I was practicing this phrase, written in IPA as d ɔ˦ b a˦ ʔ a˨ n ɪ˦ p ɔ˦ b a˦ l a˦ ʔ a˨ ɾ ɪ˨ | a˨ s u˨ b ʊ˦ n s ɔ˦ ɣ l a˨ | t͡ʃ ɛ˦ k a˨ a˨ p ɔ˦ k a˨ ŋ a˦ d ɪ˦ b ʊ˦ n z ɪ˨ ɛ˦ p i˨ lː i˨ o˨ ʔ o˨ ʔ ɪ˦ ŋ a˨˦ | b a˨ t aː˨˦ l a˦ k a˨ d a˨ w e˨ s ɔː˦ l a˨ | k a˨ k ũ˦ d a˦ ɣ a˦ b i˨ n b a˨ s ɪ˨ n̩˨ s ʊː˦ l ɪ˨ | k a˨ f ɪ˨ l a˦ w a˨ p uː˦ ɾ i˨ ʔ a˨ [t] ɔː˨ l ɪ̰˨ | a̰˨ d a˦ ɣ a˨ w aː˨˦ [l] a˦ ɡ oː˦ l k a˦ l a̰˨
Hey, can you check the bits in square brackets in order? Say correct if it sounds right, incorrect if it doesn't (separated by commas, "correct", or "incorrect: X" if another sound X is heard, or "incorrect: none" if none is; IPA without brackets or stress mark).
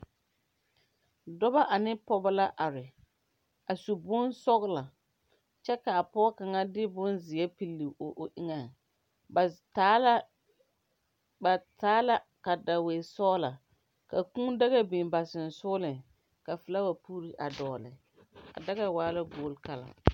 incorrect: d, correct